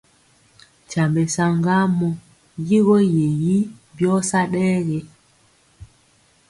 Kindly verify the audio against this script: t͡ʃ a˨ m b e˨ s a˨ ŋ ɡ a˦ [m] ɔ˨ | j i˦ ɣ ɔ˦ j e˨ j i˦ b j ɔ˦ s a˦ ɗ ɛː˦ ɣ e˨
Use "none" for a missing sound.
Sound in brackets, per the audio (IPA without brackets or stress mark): m